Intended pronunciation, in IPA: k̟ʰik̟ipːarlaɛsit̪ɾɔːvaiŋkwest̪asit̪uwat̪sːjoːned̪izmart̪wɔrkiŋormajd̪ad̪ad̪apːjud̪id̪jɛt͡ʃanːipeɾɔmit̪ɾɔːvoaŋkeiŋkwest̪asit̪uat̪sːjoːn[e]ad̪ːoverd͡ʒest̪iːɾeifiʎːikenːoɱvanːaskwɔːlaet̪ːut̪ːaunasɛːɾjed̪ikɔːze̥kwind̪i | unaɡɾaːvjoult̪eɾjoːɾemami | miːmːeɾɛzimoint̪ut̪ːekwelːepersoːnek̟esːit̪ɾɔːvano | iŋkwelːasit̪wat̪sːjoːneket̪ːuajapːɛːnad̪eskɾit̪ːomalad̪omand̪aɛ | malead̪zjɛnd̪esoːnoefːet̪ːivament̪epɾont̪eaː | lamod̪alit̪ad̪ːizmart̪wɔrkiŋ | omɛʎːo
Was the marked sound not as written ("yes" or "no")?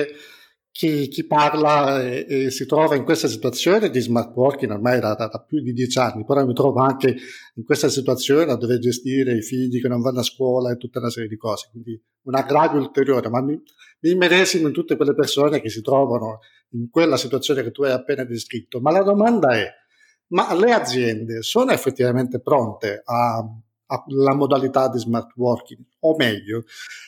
no